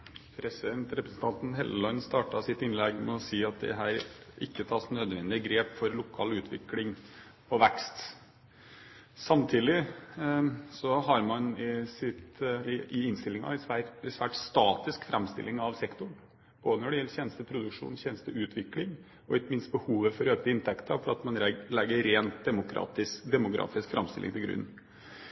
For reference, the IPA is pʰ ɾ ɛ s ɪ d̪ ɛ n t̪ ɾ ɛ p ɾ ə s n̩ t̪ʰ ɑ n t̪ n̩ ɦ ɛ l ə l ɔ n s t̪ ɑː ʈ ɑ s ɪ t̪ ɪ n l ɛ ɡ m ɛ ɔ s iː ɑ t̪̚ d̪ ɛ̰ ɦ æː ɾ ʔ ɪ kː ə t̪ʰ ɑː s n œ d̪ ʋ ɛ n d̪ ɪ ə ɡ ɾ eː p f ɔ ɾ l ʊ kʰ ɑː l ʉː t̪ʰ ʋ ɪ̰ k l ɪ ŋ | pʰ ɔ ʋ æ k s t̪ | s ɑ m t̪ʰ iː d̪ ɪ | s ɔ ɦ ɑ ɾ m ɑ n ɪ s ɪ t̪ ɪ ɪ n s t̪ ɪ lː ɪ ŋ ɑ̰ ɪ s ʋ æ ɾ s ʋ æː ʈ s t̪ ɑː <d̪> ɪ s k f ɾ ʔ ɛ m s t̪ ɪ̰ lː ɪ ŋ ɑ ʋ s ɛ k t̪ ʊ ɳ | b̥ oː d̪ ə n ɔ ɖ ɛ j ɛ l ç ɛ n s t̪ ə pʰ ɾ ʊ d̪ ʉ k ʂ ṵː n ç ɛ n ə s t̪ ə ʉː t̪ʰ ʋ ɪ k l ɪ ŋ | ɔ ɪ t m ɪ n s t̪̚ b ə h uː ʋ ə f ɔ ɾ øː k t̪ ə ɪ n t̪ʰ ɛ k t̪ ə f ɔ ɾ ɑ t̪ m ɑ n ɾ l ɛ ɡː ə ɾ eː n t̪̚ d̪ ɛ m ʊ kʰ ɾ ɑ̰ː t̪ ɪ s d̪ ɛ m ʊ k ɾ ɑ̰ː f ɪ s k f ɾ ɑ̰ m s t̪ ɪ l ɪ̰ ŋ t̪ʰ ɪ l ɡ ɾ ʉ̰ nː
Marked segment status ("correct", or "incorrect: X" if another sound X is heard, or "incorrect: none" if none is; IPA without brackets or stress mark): incorrect: t̪